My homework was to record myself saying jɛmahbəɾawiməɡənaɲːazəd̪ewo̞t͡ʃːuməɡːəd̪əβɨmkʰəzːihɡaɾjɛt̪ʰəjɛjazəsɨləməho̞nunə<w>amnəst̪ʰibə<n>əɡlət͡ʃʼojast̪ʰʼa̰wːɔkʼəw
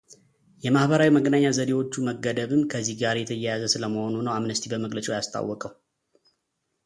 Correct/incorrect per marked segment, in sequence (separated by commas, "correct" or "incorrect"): correct, incorrect